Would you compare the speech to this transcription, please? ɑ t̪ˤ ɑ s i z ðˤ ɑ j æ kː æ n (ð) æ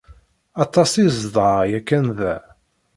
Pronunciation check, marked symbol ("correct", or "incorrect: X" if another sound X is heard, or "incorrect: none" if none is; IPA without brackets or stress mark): correct